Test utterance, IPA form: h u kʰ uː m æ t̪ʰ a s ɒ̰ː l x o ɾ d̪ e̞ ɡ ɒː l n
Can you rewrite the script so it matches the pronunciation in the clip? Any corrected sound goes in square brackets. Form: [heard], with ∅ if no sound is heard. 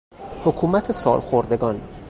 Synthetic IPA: h [o] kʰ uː m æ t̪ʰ [e] s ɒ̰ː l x o ɾ d̪ e̞ ɡ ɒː [∅] n